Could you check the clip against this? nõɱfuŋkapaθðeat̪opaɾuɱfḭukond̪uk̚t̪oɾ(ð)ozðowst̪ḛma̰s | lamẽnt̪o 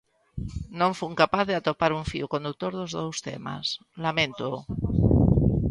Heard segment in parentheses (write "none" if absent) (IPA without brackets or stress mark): ð